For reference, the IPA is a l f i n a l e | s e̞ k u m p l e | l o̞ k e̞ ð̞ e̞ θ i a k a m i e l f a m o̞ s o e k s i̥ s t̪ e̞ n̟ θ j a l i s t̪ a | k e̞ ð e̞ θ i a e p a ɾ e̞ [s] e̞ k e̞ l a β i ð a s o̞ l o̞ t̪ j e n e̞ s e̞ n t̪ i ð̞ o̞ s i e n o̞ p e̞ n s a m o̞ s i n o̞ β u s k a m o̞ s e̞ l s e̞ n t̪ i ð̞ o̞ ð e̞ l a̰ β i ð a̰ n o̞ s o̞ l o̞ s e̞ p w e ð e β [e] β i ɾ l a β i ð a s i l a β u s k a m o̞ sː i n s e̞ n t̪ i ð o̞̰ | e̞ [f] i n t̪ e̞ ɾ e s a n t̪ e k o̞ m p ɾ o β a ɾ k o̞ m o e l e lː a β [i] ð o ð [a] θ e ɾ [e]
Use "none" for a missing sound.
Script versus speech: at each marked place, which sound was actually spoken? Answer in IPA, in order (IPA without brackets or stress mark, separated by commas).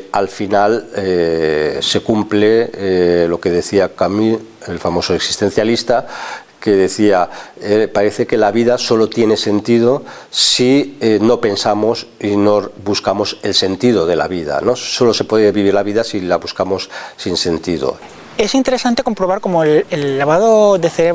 θ, i, s, a, e, e